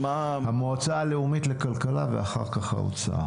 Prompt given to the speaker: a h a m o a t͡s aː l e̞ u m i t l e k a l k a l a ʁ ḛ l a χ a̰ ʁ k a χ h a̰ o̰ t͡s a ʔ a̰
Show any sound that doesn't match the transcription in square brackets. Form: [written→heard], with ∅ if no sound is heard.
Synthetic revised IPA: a h a m o a t͡s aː l e̞ u m i t l e k a l k a l a [ʁ→v] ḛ [l→∅] a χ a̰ ʁ k a χ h a̰ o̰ t͡s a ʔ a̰